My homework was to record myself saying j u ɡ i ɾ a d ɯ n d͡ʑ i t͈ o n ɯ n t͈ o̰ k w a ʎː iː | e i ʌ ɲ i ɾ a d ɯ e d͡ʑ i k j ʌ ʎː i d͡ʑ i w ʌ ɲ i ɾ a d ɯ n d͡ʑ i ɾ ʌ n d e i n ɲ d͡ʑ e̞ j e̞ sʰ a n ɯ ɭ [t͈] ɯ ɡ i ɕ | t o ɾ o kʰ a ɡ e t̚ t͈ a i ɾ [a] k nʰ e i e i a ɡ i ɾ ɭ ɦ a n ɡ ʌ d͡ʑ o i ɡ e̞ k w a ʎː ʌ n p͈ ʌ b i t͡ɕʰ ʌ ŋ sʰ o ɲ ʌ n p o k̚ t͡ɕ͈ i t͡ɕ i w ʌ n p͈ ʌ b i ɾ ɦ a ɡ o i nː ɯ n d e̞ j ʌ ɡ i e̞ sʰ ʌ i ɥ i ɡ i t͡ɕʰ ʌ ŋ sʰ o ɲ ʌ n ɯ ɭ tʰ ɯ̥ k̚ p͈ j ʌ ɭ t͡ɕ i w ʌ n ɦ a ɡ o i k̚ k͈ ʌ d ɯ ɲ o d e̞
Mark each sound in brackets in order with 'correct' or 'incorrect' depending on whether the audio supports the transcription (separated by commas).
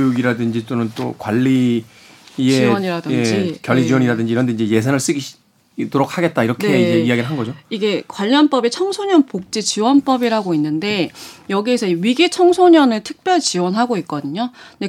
incorrect, incorrect